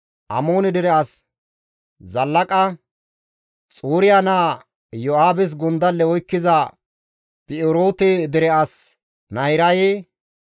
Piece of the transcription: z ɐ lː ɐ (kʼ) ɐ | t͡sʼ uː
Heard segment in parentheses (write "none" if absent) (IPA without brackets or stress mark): kʼ